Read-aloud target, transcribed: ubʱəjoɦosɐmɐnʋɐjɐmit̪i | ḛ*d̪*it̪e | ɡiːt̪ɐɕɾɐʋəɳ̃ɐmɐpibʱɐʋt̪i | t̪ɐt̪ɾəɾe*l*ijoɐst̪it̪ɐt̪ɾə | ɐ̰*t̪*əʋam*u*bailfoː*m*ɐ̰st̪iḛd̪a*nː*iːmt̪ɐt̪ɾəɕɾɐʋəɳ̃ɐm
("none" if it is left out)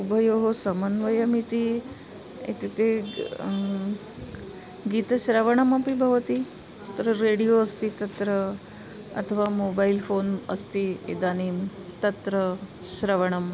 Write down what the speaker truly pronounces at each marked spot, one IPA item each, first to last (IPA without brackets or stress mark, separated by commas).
t̪, ɽ, t̪ʰ, o, n, n